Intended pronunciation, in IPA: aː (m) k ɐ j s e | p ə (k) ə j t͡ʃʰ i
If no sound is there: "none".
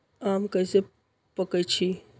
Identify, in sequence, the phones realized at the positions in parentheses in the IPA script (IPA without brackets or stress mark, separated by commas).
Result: m, k